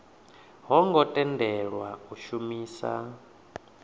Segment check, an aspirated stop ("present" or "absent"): absent